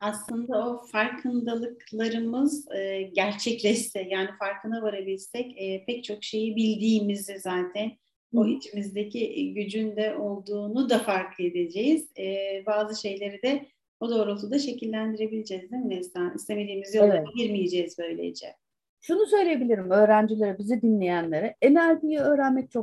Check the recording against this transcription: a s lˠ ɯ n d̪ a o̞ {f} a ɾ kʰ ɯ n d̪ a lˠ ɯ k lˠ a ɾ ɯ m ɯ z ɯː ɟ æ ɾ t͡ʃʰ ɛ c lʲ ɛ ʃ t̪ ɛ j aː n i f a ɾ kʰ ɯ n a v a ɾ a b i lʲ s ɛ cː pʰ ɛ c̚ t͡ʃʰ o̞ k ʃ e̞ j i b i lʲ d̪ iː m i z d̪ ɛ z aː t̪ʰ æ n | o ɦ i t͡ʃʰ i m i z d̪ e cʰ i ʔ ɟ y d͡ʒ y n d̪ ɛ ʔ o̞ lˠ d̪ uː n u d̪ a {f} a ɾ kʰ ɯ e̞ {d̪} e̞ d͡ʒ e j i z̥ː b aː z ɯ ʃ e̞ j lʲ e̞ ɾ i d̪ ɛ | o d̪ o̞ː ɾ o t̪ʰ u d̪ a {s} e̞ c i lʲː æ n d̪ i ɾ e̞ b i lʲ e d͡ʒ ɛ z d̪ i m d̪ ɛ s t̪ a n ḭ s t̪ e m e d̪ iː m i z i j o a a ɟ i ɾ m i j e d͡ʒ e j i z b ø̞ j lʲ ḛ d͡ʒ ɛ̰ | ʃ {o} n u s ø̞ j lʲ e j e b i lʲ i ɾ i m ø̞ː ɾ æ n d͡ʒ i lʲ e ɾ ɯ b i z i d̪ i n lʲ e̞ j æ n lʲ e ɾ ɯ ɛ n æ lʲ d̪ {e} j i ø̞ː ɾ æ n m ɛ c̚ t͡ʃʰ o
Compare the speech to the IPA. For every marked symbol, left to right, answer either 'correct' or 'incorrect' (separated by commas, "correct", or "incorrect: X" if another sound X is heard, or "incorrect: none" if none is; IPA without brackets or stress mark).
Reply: correct, correct, correct, incorrect: ʃ, incorrect: u, incorrect: i